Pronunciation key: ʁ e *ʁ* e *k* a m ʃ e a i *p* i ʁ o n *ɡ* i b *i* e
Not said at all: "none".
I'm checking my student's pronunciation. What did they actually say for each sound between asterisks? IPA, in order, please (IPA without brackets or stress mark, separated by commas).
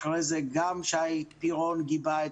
z, ɡ, p, ɡ, a